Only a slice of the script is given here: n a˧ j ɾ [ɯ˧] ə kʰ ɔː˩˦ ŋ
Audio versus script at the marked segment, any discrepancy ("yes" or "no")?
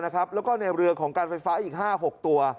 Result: no